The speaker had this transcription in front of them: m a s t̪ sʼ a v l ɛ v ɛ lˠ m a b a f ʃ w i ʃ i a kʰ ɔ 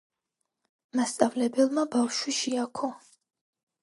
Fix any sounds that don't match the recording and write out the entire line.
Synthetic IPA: m a s t̪ sʼ a v l ɛ b ɛ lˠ m a b a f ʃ w i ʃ i a kʰ ɔ